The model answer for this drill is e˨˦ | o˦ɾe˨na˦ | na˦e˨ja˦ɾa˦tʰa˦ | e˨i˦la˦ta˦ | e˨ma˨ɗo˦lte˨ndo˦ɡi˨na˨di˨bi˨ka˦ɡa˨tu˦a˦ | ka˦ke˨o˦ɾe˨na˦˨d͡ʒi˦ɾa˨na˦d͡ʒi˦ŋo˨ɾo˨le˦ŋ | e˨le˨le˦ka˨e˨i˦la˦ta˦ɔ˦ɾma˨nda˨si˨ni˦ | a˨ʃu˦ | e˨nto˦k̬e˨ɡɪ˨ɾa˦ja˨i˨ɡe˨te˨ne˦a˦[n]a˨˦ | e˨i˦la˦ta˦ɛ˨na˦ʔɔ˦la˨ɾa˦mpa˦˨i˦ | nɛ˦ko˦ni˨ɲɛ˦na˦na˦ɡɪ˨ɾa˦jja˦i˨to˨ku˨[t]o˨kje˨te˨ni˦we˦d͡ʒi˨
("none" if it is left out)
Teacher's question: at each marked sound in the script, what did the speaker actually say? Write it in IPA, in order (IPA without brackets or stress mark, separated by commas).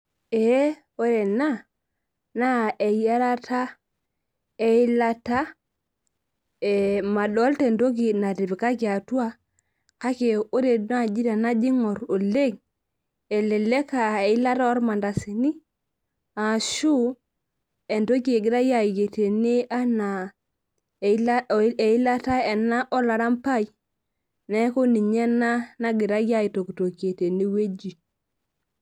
n, t